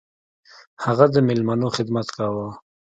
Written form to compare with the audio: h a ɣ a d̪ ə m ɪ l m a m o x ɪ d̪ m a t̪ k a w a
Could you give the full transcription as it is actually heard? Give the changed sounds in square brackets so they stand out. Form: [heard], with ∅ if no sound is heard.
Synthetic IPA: h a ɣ a d̪ ə m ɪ l m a [n] o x ɪ d̪ m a t̪ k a w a